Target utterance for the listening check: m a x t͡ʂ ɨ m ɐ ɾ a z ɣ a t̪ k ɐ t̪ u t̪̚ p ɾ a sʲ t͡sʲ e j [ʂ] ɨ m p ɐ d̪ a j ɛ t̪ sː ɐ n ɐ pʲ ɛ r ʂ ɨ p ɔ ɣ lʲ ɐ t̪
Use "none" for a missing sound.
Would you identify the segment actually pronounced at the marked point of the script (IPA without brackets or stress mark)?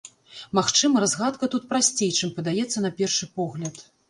t͡ʂ